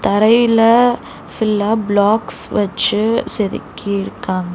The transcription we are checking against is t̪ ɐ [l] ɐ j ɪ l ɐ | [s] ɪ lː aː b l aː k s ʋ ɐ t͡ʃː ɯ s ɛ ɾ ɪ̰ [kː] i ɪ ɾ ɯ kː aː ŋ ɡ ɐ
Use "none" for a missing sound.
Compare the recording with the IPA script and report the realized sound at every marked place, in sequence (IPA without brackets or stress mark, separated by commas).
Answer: ɾ, f, kː